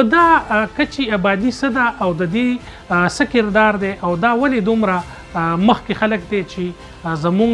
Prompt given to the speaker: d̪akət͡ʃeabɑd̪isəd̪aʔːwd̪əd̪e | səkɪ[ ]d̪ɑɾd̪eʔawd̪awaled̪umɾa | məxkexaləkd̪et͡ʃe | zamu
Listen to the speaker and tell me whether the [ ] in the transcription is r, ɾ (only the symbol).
ɾ